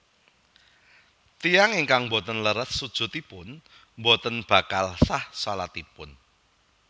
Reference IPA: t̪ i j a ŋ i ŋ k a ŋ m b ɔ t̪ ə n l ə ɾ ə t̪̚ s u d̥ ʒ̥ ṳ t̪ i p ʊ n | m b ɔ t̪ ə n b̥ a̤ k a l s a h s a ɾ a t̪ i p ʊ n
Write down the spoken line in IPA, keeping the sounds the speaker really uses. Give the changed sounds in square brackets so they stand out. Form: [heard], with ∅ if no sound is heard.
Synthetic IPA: t̪ i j a ŋ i ŋ k a ŋ m b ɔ t̪ ə n l ə ɾ ə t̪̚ s u d̥ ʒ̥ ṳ t̪ i p ʊ n | m b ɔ t̪ ə n b̥ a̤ k a l s a h s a [l] a t̪ i p ʊ n